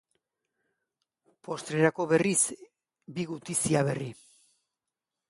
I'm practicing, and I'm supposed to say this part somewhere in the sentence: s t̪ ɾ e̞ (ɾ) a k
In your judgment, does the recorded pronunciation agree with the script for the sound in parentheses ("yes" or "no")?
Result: yes